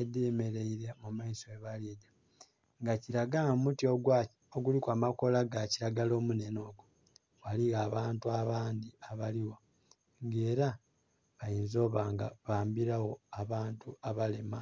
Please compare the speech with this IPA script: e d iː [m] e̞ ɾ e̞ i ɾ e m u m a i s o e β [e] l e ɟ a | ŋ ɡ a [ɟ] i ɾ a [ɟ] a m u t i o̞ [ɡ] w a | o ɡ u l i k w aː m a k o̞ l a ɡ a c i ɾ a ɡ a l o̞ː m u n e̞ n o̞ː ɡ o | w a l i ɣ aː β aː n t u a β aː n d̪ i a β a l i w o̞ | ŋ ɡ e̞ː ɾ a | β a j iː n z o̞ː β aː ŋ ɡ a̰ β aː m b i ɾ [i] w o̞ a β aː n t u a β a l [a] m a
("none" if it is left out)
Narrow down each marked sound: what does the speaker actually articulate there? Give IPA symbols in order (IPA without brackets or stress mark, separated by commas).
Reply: m, a, c, ɡ, ɡ, a, e